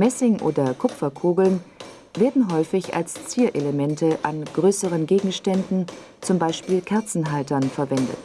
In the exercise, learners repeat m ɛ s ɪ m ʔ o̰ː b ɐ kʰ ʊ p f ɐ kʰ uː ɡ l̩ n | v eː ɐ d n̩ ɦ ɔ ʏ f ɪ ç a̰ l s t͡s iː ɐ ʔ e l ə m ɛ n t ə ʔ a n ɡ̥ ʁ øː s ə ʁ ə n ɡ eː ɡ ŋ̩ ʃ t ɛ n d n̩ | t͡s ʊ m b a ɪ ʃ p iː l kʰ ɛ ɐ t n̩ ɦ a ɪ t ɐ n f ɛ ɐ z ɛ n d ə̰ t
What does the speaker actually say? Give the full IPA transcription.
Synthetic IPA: m ɛ s ɪ ŋ ʔ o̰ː d ɐ kʰ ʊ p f ɐ kʰ uː ɡ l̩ n | v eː ɐ d n̩ ɦ ɔ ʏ f ɪ ç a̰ l s t͡s iː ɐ ʔ e l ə m ɛ n t ə ʔ a n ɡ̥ ʁ øː s ə ʁ ə n ɡ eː ɡ ŋ̩ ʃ t ɛ n d n̩ | t͡s ʊ m b a ɪ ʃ p iː l kʰ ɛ ɐ t͡s n̩ ɦ a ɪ t ɐ n f ɛ ɐ v ɛ n d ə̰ t